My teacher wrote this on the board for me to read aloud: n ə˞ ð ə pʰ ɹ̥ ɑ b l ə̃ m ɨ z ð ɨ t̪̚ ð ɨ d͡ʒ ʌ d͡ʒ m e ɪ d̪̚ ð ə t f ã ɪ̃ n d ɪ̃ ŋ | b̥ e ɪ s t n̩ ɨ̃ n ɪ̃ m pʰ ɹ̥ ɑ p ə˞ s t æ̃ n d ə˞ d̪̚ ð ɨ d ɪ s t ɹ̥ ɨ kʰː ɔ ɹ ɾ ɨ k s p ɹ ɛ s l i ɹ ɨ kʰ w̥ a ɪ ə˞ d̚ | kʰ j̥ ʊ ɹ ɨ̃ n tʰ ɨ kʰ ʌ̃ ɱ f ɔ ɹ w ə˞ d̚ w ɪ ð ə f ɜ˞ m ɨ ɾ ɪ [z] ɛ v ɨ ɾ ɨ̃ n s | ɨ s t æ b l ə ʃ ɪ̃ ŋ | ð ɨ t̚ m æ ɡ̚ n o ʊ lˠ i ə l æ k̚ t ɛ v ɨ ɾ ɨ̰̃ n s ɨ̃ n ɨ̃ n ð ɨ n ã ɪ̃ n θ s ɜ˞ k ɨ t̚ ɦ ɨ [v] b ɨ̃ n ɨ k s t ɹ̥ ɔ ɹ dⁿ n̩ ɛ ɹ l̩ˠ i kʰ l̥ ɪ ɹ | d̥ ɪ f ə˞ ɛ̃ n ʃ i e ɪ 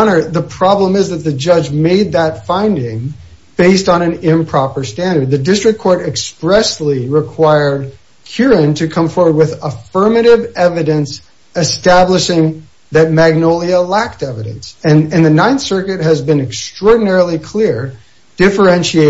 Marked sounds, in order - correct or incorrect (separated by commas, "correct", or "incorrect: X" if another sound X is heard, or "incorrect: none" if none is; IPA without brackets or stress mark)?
incorrect: v, incorrect: z